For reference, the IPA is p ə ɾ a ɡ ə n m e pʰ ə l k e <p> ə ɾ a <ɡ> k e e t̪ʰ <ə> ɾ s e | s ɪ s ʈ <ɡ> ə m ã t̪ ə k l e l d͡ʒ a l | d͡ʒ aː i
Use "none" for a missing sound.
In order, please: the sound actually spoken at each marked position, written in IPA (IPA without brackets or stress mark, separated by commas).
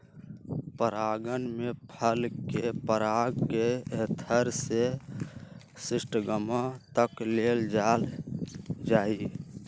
p, ɡ, ə, ɡ